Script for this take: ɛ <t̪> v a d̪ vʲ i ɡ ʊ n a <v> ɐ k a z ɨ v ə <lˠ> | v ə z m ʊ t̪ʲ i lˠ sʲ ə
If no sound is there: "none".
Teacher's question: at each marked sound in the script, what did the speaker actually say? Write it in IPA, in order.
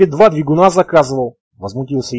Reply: d̪, z, lˠ

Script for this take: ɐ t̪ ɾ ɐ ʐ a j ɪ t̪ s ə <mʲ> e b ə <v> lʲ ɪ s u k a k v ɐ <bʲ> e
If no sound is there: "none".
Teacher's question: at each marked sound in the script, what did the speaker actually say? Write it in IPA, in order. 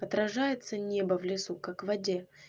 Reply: nʲ, v, dʲ

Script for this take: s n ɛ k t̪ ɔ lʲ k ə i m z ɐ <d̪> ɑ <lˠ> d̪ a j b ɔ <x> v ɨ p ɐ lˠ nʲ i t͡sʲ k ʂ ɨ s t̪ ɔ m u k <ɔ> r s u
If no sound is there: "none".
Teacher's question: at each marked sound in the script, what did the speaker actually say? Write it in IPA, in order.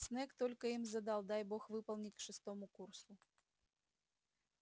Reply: d̪, lˠ, x, u

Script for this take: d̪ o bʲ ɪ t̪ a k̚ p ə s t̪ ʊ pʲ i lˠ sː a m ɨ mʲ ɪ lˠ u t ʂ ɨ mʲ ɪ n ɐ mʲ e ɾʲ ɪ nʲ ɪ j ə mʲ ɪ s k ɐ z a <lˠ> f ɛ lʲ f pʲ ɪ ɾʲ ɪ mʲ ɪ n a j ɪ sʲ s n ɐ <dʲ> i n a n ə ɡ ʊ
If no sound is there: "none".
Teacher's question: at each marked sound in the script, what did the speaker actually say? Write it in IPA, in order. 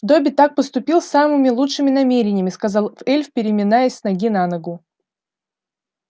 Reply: lˠ, ɡʲ

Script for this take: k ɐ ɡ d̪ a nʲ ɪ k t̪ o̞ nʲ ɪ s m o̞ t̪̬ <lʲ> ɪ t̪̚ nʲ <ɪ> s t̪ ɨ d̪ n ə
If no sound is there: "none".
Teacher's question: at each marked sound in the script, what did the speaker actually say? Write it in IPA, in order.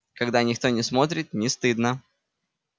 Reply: ɾʲ, ɪ

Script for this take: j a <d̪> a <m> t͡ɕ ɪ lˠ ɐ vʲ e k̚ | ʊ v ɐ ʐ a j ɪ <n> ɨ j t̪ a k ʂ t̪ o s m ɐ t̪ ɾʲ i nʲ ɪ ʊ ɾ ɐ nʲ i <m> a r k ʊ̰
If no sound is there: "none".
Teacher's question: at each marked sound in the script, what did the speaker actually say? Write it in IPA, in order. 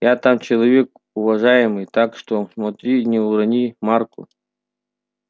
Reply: t̪, m, m, m

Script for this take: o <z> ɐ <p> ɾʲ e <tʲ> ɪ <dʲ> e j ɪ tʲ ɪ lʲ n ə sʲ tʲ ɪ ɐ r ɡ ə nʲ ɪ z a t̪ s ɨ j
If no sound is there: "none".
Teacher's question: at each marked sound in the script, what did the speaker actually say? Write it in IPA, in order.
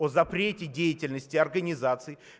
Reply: z, p, tʲ, dʲ

